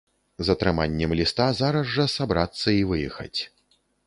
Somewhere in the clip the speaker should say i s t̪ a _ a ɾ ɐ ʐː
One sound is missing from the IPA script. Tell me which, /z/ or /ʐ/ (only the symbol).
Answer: z